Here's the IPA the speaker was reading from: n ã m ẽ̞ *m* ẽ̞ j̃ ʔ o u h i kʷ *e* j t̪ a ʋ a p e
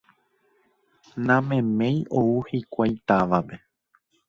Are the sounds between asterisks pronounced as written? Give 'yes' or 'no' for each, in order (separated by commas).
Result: yes, no